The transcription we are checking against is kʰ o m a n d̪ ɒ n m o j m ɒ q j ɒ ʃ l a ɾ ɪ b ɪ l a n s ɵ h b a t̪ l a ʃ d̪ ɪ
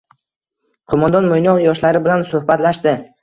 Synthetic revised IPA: qʰ o m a n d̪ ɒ n m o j n ɒ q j ɒ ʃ l a ɾ ɪ b ɪ l a n s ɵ h b a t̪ l a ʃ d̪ ɪ